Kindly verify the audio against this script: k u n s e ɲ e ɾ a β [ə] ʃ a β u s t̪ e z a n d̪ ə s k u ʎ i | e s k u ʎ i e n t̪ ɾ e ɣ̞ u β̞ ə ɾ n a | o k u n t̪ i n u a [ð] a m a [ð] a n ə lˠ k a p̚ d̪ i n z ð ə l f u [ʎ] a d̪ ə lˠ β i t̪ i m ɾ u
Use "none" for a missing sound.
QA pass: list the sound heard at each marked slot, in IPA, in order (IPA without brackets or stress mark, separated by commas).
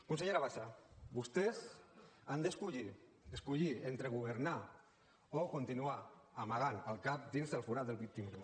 a, none, ɣ, ɾ